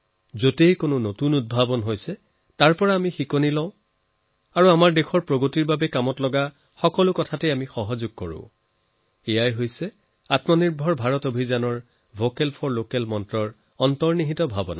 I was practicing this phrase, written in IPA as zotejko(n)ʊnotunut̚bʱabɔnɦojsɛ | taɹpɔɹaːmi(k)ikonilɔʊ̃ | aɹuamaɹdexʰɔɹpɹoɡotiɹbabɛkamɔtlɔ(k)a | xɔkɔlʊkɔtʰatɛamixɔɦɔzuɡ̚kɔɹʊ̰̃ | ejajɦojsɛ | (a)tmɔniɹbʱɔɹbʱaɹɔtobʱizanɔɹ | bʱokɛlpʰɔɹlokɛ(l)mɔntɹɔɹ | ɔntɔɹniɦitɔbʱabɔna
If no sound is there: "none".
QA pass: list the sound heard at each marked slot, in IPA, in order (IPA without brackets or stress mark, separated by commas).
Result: n, x, ɡ, a, l